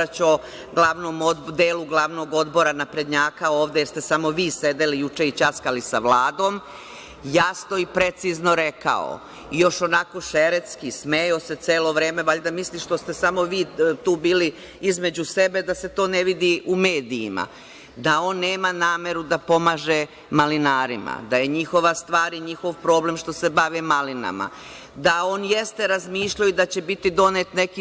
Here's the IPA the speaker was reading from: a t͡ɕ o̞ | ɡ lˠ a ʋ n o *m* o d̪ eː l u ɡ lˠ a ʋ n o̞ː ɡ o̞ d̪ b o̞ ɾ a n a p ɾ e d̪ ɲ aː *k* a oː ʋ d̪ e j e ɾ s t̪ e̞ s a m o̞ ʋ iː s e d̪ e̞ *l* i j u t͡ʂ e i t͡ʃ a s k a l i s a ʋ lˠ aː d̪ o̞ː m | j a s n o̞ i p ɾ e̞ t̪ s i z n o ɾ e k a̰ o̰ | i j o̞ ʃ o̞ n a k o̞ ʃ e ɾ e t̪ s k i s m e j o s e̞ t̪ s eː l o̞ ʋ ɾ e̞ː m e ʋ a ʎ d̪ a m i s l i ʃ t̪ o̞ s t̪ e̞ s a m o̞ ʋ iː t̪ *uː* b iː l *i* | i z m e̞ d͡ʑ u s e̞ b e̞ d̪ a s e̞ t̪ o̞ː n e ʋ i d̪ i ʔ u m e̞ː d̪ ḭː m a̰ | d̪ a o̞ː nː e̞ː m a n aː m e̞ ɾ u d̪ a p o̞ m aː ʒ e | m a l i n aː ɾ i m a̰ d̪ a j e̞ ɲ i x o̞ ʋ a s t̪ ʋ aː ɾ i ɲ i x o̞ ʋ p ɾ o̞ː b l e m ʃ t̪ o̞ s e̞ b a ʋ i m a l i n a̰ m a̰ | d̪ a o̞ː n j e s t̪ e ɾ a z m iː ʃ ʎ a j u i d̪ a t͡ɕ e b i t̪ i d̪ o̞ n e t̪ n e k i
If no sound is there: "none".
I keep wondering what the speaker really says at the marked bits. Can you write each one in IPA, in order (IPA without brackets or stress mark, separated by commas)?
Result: m, k, l, uː, i